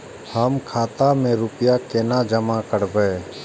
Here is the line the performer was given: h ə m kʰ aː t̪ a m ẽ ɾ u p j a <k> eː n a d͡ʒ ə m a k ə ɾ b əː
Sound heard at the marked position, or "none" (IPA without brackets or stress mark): k